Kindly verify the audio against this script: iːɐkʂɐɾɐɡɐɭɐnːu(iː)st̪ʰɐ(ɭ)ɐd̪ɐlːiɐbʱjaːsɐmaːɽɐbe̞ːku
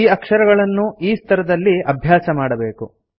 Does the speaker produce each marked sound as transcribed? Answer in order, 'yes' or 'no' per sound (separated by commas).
yes, no